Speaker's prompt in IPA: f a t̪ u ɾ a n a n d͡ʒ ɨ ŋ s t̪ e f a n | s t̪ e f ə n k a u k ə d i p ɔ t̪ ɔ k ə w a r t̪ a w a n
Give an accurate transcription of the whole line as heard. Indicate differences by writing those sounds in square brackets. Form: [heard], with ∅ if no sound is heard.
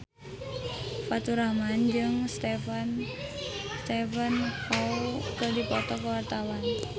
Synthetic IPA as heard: f a t̪ u ɾ a [m] a n d͡ʒ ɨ ŋ s t̪ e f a n | s t̪ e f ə n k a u k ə d i p ɔ t̪ ɔ k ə w a r t̪ a w a n